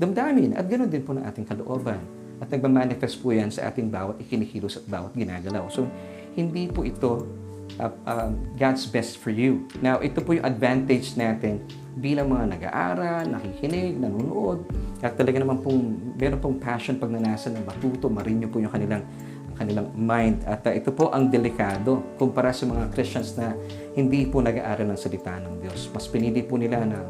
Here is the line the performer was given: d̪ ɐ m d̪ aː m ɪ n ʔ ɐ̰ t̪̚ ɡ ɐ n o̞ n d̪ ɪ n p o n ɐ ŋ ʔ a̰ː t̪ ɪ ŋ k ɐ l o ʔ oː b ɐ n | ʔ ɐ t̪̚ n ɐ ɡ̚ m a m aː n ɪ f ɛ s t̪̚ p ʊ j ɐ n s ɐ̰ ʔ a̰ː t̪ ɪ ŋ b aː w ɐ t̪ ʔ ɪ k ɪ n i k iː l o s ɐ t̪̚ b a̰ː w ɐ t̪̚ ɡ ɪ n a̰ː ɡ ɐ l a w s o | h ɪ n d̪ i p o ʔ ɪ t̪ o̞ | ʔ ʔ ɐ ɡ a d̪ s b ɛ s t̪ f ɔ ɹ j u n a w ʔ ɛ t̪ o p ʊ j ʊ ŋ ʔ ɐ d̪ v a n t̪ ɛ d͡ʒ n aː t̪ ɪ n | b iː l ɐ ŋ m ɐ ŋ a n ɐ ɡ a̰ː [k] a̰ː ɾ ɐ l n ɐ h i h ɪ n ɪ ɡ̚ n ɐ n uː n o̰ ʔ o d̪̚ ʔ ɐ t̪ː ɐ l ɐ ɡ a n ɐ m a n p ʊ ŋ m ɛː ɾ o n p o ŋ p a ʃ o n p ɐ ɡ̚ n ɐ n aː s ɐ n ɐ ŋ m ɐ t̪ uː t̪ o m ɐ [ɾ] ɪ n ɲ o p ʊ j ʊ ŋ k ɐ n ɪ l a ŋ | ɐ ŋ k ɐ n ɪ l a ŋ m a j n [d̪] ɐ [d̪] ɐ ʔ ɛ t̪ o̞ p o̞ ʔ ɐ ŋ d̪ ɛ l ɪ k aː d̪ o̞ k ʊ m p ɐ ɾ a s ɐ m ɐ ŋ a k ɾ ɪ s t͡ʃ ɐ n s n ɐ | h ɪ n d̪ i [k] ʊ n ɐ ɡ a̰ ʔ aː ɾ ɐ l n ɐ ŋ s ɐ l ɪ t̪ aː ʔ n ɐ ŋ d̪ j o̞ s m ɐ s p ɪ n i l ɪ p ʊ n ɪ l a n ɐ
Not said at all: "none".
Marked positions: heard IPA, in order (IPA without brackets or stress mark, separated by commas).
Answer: ʔ, ɾ, d̪, t̪, p